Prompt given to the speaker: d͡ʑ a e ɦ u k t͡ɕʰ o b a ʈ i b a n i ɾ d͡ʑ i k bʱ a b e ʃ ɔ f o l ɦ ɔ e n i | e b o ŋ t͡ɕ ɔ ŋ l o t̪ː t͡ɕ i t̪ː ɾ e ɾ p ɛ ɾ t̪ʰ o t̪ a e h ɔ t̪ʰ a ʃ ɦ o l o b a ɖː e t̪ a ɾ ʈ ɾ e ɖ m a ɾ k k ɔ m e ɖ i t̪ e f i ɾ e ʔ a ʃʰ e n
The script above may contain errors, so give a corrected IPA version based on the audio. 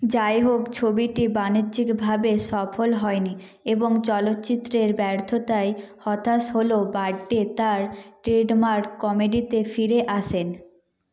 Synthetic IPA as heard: d͡ʑ a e ɦ o k t͡ɕʰ o b i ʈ i b a n i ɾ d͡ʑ i k bʱ a b e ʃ ɔ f o l ɦ ɔ e n i | e b o ŋ t͡ɕ ɔ l o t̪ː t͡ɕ i t̪ː ɾ e ɾ b ɛ ɾ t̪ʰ o t̪ a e h ɔ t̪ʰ a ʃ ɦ o l o b a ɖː e t̪ a ɾ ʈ ɾ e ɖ m a ɾ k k ɔ m e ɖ i t̪ e f i ɾ e ʔ a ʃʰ e n